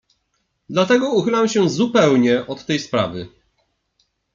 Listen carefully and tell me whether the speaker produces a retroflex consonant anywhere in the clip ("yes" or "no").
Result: no